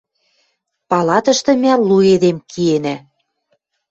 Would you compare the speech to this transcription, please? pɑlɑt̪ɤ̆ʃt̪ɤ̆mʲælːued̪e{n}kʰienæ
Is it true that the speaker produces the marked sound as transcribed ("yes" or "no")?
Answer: no